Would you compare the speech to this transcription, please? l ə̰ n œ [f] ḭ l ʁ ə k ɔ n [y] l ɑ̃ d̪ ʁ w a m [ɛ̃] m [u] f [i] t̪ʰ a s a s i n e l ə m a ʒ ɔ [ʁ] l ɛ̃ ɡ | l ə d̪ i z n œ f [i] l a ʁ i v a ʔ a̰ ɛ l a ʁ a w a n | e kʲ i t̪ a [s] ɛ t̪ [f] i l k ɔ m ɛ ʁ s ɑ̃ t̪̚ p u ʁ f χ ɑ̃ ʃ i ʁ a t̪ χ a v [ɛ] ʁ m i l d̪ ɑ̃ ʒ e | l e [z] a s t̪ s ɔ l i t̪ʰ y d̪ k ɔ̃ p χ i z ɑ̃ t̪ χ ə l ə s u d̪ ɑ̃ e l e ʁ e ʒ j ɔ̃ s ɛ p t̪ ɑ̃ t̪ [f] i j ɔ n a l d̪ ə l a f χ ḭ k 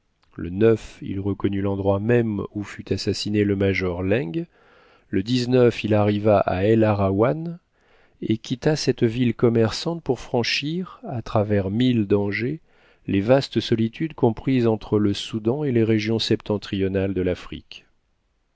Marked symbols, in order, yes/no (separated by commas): yes, yes, no, yes, no, yes, yes, yes, no, yes, no, no